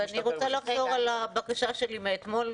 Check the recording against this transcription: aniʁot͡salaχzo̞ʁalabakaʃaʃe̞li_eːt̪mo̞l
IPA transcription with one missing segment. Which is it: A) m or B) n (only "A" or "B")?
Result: A